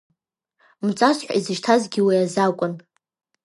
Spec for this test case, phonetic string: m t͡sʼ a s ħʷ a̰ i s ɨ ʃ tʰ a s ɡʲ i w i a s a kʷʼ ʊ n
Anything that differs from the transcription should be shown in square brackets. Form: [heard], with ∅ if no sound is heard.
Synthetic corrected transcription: m t͡sʼ a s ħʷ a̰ i [z] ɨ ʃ tʰ a [z] ɡʲ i w i a [z] a kʷʼ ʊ n